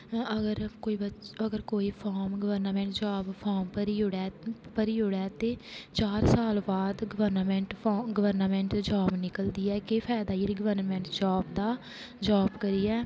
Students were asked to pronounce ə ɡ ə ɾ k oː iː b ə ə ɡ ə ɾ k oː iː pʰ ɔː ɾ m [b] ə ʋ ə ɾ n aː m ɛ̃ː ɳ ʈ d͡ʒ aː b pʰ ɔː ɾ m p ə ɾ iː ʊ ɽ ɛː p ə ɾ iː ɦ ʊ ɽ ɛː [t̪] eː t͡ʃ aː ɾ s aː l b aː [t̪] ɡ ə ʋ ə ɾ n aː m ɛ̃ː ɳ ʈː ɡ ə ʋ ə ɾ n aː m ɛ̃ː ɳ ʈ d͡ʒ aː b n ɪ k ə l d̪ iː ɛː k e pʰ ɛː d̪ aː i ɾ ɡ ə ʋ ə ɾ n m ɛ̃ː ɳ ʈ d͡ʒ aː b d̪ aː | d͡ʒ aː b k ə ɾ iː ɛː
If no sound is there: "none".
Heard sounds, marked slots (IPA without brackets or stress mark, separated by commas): ɡ, t̪, d̪